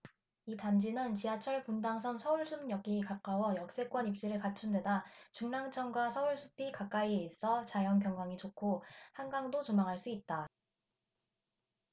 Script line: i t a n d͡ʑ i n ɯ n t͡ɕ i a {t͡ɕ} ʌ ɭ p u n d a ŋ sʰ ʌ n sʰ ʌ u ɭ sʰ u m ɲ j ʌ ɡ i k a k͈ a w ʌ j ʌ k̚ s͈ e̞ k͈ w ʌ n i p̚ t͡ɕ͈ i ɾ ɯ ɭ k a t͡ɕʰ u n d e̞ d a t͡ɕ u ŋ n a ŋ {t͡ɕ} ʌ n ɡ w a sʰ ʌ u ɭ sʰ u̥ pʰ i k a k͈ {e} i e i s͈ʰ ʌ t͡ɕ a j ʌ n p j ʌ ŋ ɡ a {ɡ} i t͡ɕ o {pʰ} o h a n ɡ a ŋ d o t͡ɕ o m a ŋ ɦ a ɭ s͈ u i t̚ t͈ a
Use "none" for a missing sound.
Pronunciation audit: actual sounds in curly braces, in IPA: t͡ɕʰ, t͡ɕʰ, a, ŋ, kʰ

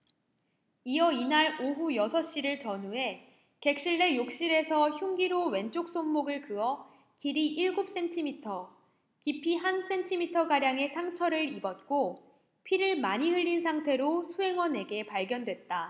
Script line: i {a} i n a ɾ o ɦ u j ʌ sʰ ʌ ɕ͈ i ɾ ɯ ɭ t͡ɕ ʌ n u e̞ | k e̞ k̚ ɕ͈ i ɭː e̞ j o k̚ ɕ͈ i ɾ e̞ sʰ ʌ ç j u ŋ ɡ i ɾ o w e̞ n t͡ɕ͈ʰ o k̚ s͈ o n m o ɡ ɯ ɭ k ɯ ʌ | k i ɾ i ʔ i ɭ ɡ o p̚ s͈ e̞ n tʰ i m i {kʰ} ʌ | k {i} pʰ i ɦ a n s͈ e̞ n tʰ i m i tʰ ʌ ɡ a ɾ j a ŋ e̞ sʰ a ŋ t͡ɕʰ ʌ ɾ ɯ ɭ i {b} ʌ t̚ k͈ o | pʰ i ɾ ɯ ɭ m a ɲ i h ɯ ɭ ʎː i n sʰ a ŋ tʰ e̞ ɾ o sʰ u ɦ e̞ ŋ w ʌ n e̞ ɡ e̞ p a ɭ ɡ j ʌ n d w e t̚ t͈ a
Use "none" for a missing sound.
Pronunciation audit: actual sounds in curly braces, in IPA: ʌ, tʰ, i, b

